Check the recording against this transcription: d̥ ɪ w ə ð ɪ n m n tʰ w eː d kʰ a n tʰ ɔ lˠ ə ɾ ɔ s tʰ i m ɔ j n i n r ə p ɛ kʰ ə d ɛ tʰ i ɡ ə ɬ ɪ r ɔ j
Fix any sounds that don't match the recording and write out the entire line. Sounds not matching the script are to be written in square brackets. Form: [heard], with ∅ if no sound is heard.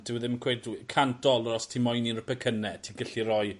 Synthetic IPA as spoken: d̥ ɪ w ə ð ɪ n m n [kʰ] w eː d kʰ a n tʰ ɔ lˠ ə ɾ ɔ s tʰ i m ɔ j n i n r ə p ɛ kʰ ə [n] ɛ tʰ i ɡ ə ɬ [i] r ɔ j